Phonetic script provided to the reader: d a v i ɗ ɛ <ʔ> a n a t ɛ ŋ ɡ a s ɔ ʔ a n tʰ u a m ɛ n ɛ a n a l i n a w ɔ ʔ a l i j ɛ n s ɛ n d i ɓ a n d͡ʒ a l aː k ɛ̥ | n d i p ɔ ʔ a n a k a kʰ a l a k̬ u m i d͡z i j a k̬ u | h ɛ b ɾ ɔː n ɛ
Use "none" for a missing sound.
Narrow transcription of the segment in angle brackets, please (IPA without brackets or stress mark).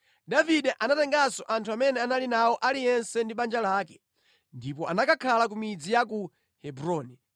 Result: ʔ